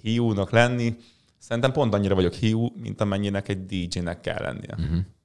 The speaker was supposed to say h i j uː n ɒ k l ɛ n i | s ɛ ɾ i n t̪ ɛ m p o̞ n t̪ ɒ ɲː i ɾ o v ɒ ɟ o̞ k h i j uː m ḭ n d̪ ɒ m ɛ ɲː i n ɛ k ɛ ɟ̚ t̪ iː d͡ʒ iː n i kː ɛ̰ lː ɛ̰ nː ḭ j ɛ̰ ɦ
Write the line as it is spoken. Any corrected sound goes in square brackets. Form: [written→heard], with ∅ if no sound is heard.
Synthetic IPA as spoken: h i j uː n ɒ k l ɛ [n→nː] i | s ɛ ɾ i n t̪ ɛ m p o̞ n t̪ ɒ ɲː i ɾ [o→ɒ] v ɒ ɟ o̞ k h i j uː m ḭ n [d̪→t̪] ɒ m ɛ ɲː i n ɛ k ɛ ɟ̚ [t̪→d̪] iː d͡ʒ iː n [i→ɛ] kː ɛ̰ lː ɛ̰ nː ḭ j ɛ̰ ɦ